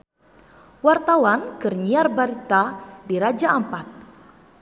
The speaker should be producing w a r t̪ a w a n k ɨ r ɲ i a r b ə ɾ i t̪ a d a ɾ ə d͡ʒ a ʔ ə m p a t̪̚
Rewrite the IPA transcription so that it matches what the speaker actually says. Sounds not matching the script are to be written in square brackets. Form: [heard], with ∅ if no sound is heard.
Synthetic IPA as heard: w a r t̪ a w a n k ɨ r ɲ i a r b [a] ɾ i t̪ a d [i] ɾ [a] d͡ʒ a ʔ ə m p a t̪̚